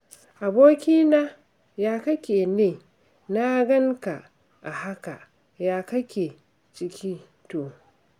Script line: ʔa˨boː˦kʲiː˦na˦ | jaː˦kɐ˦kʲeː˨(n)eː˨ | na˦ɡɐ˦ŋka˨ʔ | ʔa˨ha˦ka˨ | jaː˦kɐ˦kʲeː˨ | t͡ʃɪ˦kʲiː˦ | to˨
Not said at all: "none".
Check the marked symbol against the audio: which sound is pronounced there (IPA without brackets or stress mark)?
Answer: n